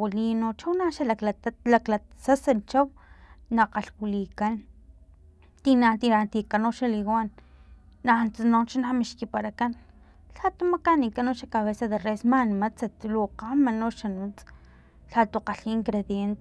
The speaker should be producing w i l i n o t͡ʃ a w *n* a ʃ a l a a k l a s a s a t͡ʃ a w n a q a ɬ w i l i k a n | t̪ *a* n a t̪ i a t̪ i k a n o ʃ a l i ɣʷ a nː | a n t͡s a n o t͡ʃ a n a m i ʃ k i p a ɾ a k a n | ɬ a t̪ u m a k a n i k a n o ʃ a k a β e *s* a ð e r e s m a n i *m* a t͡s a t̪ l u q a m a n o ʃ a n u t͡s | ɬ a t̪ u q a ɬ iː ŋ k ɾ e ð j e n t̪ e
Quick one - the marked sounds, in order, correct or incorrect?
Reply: correct, incorrect, correct, correct

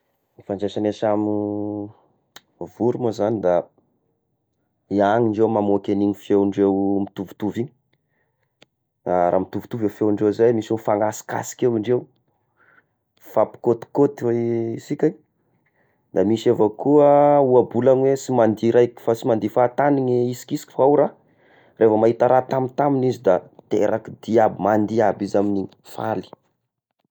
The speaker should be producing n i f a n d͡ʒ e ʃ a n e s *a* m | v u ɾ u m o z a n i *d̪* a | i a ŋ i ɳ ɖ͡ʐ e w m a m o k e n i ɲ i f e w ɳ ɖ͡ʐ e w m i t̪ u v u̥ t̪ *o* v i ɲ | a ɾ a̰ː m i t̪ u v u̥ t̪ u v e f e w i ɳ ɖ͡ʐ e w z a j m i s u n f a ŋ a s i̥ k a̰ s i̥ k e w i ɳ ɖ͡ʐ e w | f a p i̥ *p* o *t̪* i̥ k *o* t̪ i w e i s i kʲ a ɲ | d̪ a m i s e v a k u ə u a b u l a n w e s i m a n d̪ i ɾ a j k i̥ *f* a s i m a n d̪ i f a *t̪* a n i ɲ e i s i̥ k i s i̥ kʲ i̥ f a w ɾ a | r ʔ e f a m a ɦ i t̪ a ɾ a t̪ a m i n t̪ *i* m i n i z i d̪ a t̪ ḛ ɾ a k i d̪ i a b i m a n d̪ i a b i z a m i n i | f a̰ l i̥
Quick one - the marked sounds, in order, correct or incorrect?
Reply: correct, correct, incorrect, incorrect, correct, correct, correct, correct, incorrect

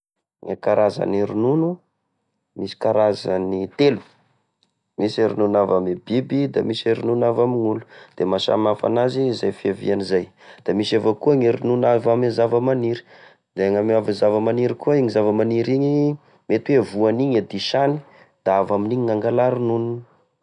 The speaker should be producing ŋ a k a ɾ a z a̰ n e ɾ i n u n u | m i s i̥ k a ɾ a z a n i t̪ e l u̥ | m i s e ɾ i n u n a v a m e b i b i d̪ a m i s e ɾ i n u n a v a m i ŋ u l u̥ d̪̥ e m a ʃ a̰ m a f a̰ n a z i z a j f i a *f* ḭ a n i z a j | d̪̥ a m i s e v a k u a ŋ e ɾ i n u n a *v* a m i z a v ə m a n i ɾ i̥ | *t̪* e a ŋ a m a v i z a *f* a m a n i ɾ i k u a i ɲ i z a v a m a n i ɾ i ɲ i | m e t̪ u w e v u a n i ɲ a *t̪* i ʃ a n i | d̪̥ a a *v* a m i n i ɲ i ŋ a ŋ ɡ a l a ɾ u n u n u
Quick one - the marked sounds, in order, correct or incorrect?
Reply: incorrect, correct, incorrect, incorrect, incorrect, correct

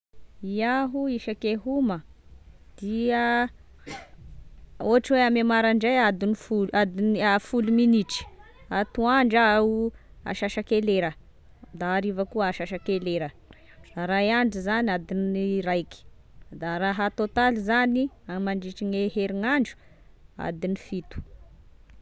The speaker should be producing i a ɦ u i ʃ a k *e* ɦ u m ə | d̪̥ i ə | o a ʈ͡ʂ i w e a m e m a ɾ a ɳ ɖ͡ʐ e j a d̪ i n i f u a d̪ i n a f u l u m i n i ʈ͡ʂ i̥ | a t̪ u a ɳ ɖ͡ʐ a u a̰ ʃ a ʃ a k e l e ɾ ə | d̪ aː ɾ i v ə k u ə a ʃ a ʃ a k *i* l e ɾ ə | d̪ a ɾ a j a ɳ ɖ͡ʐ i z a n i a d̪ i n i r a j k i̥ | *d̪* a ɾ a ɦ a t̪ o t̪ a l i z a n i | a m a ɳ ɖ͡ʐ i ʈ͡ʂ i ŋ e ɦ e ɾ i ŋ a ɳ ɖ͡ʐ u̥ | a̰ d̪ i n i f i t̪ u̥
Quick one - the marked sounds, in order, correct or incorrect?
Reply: correct, incorrect, correct

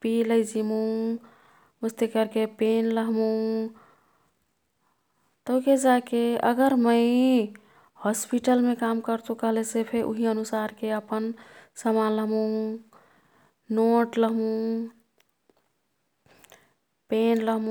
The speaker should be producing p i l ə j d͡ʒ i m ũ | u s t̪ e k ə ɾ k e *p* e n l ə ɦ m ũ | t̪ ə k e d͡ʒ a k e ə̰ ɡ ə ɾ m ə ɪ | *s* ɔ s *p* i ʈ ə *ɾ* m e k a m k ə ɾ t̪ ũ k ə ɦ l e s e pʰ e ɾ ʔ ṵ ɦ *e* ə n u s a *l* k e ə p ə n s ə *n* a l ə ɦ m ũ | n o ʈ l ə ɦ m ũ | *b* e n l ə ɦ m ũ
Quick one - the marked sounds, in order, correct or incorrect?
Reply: correct, incorrect, correct, incorrect, incorrect, incorrect, incorrect, incorrect

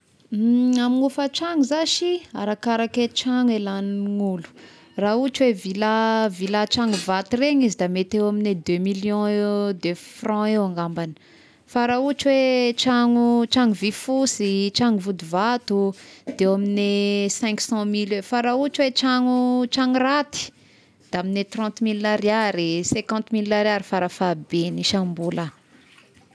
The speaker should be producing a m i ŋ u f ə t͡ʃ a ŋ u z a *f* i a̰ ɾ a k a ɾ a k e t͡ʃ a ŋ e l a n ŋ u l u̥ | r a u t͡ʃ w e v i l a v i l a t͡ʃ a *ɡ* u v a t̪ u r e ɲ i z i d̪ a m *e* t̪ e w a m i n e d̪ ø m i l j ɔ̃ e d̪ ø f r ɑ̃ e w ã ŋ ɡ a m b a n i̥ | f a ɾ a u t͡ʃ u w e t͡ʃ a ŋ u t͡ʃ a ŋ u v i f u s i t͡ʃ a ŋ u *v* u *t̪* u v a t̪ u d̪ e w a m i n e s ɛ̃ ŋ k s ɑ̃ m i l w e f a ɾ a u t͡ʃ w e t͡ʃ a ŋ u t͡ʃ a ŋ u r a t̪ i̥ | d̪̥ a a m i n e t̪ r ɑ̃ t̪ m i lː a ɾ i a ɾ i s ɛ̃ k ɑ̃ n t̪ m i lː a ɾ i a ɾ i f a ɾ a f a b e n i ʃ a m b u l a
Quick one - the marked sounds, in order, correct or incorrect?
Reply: incorrect, incorrect, correct, correct, incorrect

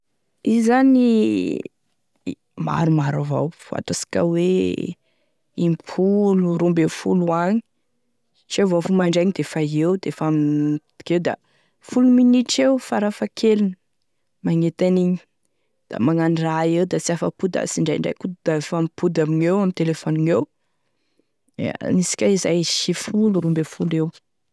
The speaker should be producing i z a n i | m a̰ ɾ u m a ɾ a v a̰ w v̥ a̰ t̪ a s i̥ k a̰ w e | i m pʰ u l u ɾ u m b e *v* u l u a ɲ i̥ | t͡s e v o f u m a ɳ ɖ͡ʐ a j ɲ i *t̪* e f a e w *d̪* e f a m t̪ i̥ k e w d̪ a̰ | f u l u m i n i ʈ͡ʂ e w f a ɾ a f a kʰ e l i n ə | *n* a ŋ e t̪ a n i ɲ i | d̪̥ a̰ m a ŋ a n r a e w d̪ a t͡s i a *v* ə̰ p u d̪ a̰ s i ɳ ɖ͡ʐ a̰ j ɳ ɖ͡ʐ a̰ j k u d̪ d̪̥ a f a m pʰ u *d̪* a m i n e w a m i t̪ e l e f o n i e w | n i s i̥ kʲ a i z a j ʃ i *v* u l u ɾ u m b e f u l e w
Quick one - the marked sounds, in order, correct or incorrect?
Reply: incorrect, incorrect, correct, incorrect, incorrect, correct, incorrect

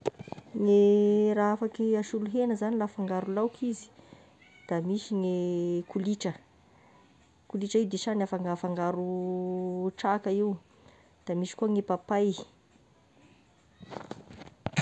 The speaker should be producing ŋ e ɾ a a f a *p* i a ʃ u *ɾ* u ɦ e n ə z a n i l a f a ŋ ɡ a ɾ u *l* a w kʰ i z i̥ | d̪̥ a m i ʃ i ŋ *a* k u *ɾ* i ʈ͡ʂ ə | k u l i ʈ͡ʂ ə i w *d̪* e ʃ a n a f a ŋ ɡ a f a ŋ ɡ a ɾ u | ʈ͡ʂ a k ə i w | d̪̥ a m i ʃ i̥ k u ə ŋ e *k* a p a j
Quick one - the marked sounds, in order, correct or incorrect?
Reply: incorrect, incorrect, correct, incorrect, incorrect, correct, incorrect

